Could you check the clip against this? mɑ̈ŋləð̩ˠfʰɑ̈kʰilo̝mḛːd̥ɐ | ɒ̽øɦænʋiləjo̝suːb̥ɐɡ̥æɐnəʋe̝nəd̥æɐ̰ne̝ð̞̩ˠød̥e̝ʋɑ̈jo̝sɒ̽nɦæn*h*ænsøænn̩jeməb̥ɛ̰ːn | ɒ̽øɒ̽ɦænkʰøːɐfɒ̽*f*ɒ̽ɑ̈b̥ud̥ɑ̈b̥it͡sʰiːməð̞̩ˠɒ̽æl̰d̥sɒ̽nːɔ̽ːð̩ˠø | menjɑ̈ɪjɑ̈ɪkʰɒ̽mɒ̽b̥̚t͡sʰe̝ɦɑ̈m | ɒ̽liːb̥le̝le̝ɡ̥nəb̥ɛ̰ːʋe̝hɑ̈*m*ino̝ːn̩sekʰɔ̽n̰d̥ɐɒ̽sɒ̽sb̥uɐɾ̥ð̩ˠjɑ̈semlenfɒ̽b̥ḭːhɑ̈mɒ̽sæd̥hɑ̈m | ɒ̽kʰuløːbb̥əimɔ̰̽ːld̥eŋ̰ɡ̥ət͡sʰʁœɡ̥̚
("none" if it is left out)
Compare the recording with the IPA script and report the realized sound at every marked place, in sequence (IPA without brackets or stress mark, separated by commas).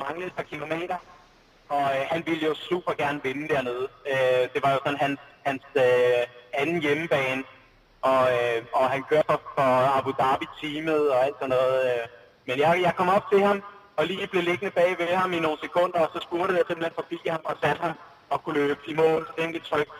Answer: h, f, m